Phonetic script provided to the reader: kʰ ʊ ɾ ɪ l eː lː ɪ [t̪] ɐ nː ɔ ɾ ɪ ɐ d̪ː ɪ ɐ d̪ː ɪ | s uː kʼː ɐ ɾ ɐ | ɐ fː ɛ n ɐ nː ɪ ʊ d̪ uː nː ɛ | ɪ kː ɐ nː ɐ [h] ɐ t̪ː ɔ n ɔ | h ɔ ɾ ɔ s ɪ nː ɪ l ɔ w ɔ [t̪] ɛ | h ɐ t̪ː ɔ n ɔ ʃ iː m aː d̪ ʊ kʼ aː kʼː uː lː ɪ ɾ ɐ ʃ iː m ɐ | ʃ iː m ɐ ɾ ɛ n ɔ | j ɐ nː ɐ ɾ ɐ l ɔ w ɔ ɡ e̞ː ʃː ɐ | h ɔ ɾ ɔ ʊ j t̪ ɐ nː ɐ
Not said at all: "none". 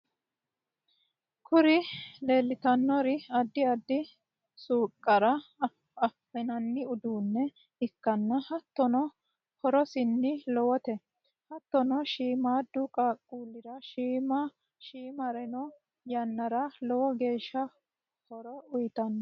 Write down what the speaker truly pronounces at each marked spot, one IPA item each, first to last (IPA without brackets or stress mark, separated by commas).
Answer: t̪, h, t̪